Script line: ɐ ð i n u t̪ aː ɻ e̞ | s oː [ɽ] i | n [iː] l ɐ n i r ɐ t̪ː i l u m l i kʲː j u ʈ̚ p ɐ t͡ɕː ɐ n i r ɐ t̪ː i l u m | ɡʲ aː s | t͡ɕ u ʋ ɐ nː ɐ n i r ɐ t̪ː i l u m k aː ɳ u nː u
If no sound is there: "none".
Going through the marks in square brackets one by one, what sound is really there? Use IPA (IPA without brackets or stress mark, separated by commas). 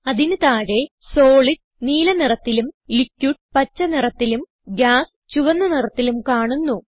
ɭ, iː